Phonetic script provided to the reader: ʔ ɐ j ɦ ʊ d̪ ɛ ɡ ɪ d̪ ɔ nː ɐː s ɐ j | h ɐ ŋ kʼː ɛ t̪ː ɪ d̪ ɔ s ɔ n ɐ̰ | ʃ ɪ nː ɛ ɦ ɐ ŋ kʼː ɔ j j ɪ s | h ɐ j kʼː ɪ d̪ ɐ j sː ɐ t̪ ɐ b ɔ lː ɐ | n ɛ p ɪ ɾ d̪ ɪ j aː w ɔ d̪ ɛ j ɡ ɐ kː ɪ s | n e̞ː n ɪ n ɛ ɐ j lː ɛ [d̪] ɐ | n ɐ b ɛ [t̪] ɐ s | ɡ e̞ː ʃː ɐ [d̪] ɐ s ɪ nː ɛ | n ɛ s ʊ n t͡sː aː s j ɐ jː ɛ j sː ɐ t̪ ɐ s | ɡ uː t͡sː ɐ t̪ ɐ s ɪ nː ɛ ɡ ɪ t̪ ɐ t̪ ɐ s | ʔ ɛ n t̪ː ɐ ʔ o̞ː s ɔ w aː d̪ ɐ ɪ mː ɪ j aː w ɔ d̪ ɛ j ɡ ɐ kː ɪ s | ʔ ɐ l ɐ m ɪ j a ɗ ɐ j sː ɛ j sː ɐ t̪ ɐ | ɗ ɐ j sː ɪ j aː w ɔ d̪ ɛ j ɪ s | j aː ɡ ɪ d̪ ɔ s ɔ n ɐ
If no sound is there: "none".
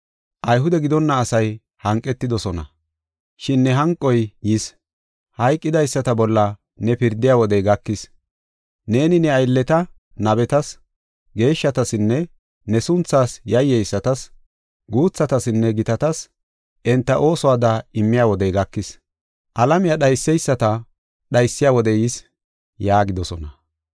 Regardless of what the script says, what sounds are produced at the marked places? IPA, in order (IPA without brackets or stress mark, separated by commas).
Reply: t̪, t̪, t̪